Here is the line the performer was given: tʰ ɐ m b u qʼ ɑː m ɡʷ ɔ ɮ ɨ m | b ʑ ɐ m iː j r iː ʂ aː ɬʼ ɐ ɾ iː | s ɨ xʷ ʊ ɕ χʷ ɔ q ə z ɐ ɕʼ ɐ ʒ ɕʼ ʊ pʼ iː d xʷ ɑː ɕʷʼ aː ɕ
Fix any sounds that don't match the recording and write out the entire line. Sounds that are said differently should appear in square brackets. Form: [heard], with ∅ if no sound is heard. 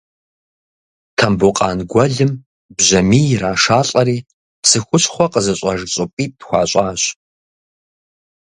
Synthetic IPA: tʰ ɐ m b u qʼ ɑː [n] ɡʷ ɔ ɮ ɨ m | b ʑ ɐ m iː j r [aː] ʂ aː ɬʼ ɐ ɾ iː | s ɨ xʷ ʊ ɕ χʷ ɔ q ə z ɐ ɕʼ ɐ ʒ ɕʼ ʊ pʼ iː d xʷ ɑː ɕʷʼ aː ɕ